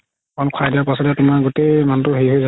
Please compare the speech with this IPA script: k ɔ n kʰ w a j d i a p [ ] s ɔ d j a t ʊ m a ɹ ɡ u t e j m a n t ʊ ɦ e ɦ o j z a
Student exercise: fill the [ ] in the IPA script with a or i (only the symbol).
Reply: a